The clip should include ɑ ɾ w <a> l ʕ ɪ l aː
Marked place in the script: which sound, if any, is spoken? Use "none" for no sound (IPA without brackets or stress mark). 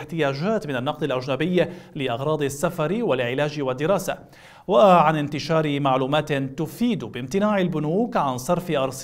a